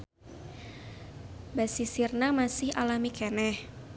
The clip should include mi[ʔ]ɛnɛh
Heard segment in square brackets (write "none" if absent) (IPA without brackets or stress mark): k